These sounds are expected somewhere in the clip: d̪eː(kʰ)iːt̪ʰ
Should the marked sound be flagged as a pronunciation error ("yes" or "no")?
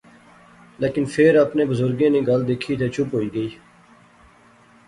no